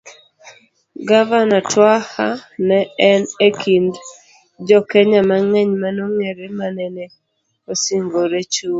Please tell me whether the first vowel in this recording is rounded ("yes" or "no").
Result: no